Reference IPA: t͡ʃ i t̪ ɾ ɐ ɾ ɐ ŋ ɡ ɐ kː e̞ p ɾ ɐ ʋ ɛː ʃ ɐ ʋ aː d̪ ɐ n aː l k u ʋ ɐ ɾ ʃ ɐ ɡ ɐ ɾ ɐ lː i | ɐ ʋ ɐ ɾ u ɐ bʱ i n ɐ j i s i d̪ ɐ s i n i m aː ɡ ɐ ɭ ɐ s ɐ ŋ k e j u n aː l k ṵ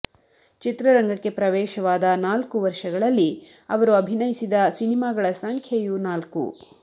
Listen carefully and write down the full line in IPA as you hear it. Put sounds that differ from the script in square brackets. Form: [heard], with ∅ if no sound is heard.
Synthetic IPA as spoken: t͡ʃ i t̪ ɾ ɐ ɾ ɐ ŋ ɡ ɐ kː e̞ p ɾ ɐ ʋ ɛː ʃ ɐ ʋ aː d̪ ɐ n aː l k u ʋ ɐ ɾ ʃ ɐ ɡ ɐ [ɭ] ɐ lː i | ɐ ʋ ɐ ɾ u ɐ bʱ i n ɐ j i s i d̪ ɐ s i n i m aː ɡ ɐ ɭ ɐ s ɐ ŋ [kʰ] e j u n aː l k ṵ

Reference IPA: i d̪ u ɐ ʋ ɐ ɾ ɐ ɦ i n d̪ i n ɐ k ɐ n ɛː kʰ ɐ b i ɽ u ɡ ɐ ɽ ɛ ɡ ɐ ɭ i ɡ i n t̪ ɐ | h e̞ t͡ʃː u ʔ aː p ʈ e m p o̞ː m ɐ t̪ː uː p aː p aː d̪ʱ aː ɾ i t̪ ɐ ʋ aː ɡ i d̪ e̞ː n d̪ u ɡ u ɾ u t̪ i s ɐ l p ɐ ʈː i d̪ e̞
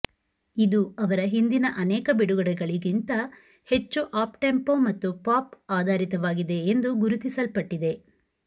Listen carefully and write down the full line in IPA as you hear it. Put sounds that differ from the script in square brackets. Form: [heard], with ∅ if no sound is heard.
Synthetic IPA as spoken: i d̪ u ɐ ʋ ɐ ɾ ɐ ɦ i n d̪ i n ɐ [ʔ] ɐ n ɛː [k] ɐ b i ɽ u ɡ ɐ ɽ ɛ ɡ ɐ ɭ i ɡ i n t̪ ɐ | h e̞ t͡ʃː u ʔ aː p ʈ e m p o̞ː m ɐ t̪ː [u] p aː p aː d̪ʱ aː ɾ i t̪ ɐ ʋ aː ɡ i d̪ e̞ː n d̪ u ɡ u ɾ u t̪ i s ɐ l p ɐ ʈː i d̪ e̞

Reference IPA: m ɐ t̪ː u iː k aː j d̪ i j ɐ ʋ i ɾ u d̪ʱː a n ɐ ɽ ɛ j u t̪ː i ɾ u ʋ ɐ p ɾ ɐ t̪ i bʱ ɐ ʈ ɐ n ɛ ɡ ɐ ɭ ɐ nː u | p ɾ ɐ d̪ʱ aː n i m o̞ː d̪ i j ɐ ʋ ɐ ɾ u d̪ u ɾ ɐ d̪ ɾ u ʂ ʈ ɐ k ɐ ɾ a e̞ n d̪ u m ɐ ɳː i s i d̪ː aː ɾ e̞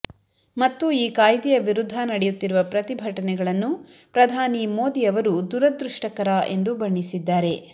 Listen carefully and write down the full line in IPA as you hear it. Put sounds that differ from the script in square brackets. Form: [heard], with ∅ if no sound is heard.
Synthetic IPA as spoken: m ɐ t̪ː u iː k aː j d̪ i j ɐ ʋ i ɾ u d̪ʱː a n ɐ ɽ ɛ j u t̪ː i ɾ u ʋ ɐ p ɾ ɐ t̪ i bʱ ɐ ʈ ɐ n ɛ ɡ ɐ ɭ ɐ nː u | p ɾ ɐ d̪ʱ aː n i m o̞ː d̪ i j ɐ ʋ ɐ ɾ u d̪ u ɾ ɐ d̪ ɾ u ʂ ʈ ɐ k ɐ ɾ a e̞ n d̪ u [b] ɐ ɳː i s i d̪ː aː ɾ e̞

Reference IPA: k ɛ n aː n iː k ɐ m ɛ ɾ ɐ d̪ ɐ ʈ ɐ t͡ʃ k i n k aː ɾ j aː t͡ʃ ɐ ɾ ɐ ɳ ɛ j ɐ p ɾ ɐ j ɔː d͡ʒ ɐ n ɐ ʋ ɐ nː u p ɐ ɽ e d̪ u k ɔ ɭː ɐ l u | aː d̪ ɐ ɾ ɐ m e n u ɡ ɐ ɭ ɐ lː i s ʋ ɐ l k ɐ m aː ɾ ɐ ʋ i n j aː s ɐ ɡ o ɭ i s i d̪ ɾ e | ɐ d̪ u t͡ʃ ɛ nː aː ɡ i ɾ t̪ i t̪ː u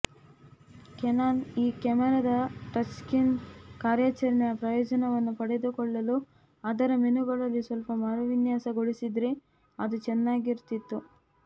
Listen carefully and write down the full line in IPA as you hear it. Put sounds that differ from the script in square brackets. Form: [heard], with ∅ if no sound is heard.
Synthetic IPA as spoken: k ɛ n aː n iː k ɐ m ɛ ɾ ɐ d̪ ɐ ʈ ɐ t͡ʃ k i n k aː ɾ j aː t͡ʃ ɐ ɾ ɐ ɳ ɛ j ɐ p ɾ ɐ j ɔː d͡ʒ ɐ n ɐ ʋ ɐ nː u p ɐ ɽ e d̪ u k ɔ ɭː ɐ l u | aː d̪ ɐ ɾ ɐ m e n u ɡ ɐ ɭ ɐ lː i s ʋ ɐ l [p] ɐ m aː ɾ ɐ ʋ i n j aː s ɐ ɡ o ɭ i s i d̪ ɾ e | ɐ d̪ u t͡ʃ ɛ nː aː ɡ i ɾ t̪ i t̪ː u

